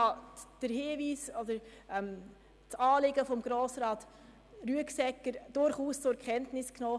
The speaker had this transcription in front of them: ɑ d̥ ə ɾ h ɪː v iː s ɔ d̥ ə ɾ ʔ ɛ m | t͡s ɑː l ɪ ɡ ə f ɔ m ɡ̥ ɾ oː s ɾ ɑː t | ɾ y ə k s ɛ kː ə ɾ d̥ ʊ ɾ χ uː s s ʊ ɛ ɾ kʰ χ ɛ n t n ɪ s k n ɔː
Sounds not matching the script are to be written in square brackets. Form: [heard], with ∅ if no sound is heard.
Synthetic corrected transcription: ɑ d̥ ə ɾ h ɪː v iː s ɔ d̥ ə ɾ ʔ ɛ m | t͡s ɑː l ɪ ɡ ə f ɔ m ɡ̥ ɾ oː s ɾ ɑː t | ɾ y ə k s ɛ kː ə ɾ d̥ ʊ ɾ χ uː s [t͡s] ʊ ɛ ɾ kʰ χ ɛ n t n ɪ s k n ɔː

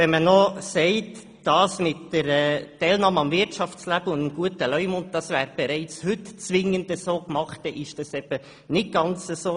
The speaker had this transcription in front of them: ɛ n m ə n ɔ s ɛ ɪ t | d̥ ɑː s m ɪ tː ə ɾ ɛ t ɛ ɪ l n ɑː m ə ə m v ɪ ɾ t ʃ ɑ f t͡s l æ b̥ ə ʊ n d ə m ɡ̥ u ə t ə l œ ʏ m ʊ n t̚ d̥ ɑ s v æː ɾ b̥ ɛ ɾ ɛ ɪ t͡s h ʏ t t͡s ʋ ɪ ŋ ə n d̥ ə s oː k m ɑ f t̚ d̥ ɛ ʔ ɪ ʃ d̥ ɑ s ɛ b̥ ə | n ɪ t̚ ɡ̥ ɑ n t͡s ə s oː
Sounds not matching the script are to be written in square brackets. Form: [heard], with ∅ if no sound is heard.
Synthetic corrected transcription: ɛ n m ə n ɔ s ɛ ɪ t | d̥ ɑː s m ɪ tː ə ɾ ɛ t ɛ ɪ l n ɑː m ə [ɑ] m v ɪ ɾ t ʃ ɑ f t͡s l æ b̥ ə ʊ n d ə m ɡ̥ u ə t ə l œ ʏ m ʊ n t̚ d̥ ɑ s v æː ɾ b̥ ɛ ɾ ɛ ɪ t͡s h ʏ t t͡s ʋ ɪ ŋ ə n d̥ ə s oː k m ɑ [χ] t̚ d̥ ɛ ʔ ɪ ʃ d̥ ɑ s ɛ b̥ ə | n ɪ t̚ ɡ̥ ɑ n t͡s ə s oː

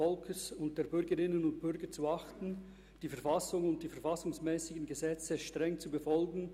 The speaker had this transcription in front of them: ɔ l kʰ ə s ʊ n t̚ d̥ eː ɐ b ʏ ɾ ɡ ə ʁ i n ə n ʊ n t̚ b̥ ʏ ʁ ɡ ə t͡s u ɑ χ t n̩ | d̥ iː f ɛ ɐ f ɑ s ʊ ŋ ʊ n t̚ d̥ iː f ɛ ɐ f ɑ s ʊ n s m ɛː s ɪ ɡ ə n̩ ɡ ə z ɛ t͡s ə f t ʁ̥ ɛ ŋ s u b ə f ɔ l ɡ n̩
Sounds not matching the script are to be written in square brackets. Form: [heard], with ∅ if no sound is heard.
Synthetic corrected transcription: ɔ l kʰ ə s ʊ n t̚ d̥ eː ɐ b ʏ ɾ ɡ ə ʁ [ɪ] n ə n ʊ n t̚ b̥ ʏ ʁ ɡ ə t͡s u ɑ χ t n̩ | d̥ iː f ɛ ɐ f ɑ s ʊ ŋ ʊ n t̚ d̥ iː f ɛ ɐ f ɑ s ʊ [ŋ] s m ɛː s ɪ ɡ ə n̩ ɡ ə z ɛ t͡s ə [ʃ] t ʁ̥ ɛ ŋ [t͡s] u b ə f ɔ l ɡ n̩

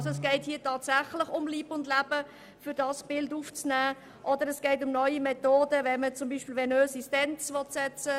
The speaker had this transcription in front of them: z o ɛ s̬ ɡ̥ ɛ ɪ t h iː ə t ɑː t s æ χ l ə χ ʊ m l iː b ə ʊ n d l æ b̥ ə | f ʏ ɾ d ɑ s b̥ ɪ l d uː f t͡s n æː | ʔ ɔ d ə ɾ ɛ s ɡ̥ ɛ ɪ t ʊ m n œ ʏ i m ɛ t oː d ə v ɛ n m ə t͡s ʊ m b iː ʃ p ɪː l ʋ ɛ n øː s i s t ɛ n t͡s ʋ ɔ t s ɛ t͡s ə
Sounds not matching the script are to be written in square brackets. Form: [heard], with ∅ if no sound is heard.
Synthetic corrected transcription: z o ɛ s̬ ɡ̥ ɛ ɪ t h iː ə t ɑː t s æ χ l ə χ ʊ m l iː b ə ʊ n d l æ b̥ ə | f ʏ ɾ d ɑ s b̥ ɪ l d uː f t͡s n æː | ʔ ɔ d ə ɾ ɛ s ɡ̥ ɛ ɪ t ʊ m n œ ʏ i m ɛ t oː d ə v ɛ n m ə t͡s ʊ m b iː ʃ p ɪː l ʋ ɛ n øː s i s t ɛ n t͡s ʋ ɔ t s ɛ t͡s ə

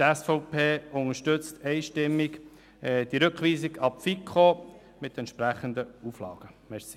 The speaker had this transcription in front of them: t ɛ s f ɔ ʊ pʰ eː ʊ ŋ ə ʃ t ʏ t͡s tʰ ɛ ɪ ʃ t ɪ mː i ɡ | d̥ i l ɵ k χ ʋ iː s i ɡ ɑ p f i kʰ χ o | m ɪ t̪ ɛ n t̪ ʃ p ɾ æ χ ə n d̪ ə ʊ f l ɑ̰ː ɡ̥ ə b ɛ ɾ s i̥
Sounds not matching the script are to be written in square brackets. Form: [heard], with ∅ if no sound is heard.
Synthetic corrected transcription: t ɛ s f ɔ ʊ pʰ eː ʊ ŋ ə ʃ t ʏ t͡s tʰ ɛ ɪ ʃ t ɪ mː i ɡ | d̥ i [ɾ] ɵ k χ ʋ iː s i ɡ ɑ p f i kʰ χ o | m ɪ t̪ ɛ n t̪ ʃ p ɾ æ χ ə n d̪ ə [u] f l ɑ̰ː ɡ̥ ə [m] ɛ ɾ s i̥

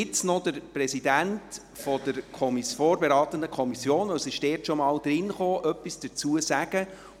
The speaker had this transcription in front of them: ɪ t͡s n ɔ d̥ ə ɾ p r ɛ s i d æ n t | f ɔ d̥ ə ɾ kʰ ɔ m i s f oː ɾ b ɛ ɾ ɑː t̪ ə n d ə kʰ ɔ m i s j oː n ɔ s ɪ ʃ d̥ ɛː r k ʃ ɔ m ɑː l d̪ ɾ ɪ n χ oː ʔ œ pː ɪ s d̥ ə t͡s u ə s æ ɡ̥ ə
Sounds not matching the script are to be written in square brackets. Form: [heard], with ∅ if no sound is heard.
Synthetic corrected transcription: ɪ t͡s n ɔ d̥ ə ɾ p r ɛ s i d æ n t | f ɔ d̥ ə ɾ kʰ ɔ m i s f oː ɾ b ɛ ɾ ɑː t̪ ə n d ə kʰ ɔ m i s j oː n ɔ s ɪ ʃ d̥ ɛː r [t] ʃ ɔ m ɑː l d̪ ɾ ɪ n χ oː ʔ œ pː [i] s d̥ ə t͡s u ə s æ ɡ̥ ə

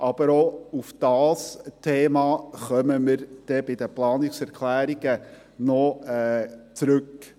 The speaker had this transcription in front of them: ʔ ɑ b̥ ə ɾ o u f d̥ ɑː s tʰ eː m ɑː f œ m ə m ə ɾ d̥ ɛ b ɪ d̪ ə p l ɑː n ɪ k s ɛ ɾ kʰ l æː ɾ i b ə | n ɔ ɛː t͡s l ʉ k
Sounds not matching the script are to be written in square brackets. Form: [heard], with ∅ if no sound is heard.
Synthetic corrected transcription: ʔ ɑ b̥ ə ɾ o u f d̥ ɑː s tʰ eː m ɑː [χ] œ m ə m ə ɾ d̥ ɛ b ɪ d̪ ə p l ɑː n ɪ k s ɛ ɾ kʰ l æː ɾ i [ɡ] ə | n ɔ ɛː t͡s [ɾ] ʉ k

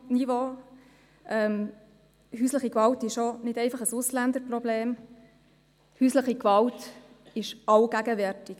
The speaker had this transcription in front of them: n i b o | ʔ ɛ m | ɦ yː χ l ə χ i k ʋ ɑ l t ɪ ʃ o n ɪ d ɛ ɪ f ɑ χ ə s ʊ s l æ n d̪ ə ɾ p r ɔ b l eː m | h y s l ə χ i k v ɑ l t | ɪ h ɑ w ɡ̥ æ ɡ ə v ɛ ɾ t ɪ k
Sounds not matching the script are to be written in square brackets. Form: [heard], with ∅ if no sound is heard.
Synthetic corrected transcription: n i [v] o | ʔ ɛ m | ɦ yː [s] l ə χ i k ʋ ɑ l t ɪ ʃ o n ɪ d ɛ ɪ f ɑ χ ə s ʊ s l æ n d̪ ə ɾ p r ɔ b l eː m | h y s l ə χ i k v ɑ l t | ɪ [ʃ] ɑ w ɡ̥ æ ɡ ə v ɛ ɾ t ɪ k

